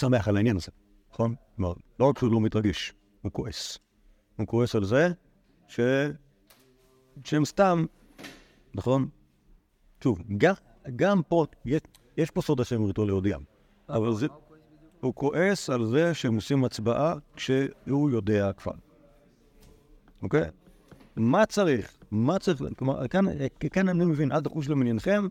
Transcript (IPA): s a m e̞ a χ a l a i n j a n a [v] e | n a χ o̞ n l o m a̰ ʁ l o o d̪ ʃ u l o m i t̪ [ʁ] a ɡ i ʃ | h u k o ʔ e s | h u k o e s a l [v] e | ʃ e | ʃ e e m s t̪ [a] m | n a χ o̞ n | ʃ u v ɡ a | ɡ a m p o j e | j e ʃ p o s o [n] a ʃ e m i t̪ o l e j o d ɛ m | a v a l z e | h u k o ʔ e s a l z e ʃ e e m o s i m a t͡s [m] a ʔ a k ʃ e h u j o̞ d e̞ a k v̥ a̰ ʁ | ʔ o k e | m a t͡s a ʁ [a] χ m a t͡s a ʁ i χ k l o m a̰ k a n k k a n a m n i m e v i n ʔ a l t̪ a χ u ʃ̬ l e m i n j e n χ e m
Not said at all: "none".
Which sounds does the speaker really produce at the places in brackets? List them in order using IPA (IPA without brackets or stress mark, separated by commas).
z, ʁ, z, a, d, b, i